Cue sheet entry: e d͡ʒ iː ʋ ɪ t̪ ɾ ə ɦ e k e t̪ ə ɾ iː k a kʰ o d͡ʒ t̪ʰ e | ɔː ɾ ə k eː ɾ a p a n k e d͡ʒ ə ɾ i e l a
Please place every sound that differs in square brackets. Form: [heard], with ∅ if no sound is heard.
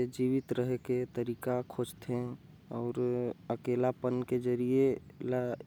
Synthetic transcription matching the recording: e d͡ʒ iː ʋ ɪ t̪ ɾ ə ɦ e k e t̪ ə ɾ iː k a kʰ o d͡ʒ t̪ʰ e | ɔː ɾ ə k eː [l] a p [ə] n k e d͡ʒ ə ɾ i e l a